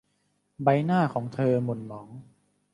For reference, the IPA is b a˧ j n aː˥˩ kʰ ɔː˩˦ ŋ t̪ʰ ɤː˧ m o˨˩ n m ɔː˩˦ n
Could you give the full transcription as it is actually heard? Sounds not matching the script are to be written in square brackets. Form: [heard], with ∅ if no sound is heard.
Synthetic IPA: b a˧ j n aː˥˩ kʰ ɔː˩˦ ŋ t̪ʰ ɤː˧ m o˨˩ n m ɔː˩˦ [ŋ]

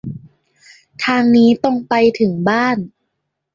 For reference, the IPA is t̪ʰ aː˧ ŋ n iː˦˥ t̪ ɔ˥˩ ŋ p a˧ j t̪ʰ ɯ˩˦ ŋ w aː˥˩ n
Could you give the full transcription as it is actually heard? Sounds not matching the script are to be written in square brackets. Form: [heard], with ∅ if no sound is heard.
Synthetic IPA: t̪ʰ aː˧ ŋ n iː˦˥ t̪ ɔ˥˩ ŋ p a˧ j t̪ʰ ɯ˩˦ ŋ [b] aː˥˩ n

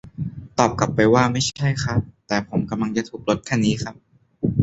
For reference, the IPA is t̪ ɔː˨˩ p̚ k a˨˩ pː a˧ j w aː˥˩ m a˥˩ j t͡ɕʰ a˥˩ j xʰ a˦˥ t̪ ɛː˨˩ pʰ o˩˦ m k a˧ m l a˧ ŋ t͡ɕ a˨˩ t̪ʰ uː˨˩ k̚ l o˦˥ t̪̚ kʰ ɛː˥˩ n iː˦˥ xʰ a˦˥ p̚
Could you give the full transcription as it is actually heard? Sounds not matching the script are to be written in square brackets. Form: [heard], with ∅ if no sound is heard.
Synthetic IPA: t̪ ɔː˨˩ p̚ k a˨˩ pː a˧ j w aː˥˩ m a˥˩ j t͡ɕʰ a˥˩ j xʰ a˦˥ t̪ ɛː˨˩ pʰ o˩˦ m k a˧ m l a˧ ŋ t͡ɕ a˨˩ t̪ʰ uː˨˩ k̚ l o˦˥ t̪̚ kʰ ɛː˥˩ n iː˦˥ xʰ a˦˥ p̚

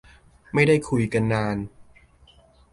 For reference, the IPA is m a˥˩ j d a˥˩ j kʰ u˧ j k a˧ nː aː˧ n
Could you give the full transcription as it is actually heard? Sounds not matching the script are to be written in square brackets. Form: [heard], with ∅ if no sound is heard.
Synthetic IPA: m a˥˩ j d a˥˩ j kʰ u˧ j k a˧ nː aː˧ n

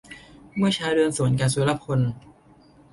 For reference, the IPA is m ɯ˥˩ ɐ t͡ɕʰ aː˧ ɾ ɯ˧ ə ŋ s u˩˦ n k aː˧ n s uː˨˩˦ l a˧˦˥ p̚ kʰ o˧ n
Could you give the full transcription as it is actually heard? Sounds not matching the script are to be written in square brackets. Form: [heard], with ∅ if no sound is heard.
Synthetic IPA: m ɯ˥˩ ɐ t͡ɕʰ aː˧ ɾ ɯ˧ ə [n] s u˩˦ n k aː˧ n s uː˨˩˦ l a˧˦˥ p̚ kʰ o˧ n

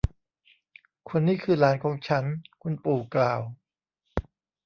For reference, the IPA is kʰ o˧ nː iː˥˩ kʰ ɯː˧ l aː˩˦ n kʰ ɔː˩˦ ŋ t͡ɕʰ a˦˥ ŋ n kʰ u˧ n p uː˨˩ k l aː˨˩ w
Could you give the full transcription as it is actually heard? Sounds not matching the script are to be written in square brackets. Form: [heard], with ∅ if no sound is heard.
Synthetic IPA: kʰ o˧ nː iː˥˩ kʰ ɯː˧ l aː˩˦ n kʰ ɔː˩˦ ŋ t͡ɕʰ a˦˥ [∅] n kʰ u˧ n p uː˨˩ k l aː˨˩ w

